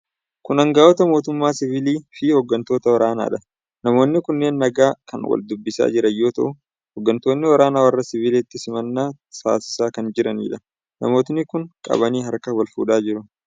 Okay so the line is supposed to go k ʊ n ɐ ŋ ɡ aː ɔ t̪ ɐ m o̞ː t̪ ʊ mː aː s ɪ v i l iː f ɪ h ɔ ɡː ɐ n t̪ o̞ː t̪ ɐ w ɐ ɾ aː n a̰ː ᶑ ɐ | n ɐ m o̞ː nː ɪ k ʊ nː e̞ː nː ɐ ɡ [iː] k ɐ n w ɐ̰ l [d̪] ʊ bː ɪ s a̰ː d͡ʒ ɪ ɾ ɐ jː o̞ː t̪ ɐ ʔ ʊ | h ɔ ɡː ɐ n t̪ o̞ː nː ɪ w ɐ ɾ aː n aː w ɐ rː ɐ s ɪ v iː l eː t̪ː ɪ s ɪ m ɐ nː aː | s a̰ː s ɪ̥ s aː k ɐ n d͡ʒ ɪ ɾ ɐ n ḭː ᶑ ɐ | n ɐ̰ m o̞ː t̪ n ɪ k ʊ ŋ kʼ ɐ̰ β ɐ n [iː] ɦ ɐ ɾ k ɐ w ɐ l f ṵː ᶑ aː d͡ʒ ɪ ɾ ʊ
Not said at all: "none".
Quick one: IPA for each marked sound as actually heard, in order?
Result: aː, d̪, iː

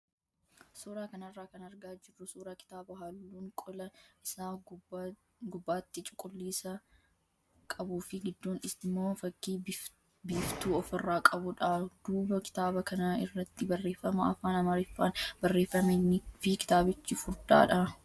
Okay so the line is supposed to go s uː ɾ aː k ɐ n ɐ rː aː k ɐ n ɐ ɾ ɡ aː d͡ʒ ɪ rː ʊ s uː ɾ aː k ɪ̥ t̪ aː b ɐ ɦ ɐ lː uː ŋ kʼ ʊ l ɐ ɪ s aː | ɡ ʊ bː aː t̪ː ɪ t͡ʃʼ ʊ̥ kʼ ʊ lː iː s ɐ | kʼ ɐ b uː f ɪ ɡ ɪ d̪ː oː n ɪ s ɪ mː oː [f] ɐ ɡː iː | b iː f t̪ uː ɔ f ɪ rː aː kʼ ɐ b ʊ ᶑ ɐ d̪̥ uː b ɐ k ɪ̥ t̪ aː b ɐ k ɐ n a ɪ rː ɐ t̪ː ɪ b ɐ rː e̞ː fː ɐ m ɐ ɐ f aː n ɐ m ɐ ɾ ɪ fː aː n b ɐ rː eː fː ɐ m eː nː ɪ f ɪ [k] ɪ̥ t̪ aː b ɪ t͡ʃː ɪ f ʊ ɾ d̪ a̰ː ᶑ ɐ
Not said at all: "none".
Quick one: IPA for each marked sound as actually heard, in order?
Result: f, k

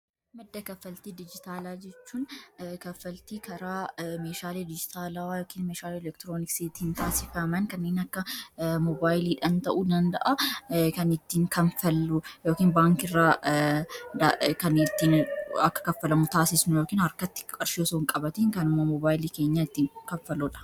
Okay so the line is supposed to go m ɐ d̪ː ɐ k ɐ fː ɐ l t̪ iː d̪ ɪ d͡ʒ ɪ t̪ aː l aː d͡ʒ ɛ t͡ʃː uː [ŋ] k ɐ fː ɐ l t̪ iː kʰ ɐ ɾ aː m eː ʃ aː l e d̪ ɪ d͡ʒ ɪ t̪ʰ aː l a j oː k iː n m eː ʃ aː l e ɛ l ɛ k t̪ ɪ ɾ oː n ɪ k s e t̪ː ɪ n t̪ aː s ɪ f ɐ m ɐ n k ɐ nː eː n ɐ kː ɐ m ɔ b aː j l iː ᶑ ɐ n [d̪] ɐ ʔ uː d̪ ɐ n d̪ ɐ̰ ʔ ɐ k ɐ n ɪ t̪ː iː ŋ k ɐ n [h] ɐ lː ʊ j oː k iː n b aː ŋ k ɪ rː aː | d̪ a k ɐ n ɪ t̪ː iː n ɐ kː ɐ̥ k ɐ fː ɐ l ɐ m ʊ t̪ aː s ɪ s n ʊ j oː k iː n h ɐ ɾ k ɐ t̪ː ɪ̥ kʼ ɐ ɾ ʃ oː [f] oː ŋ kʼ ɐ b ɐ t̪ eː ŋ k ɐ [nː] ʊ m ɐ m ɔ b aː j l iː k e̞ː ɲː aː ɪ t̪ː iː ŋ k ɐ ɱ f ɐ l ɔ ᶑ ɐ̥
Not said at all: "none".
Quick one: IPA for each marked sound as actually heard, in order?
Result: n, t̪, f, s, n

